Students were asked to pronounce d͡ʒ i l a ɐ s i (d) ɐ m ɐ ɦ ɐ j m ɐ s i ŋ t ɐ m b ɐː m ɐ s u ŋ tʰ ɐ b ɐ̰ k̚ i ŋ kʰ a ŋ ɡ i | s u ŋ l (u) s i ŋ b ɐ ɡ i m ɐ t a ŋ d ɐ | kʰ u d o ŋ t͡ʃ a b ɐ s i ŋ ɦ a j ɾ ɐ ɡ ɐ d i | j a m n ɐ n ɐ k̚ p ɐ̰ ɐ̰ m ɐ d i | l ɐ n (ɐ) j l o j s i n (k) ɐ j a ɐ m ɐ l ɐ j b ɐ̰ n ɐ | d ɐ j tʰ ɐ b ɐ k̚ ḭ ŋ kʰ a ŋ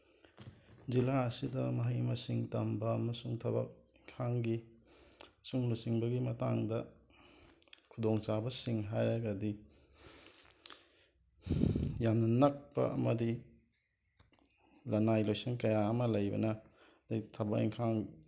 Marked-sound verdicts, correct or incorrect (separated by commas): correct, correct, incorrect, correct